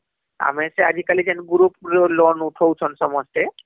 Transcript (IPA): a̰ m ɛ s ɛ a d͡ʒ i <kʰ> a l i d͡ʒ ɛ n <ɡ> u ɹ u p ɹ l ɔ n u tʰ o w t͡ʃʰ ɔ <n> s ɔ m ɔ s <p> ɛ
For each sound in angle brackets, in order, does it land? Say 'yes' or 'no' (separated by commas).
no, yes, yes, no